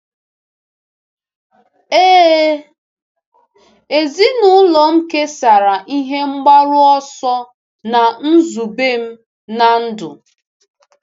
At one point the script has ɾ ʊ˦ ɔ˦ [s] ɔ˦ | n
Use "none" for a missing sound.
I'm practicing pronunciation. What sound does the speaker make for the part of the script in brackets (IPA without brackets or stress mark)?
s